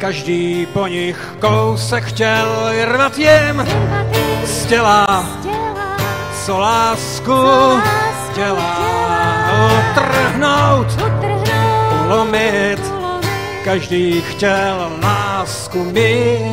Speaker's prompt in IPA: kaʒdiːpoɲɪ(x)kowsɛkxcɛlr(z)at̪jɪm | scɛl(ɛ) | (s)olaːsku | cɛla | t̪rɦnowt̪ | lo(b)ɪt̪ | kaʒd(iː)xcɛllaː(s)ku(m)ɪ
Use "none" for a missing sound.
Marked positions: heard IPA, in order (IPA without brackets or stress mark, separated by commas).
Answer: x, v, a, s, m, iː, s, m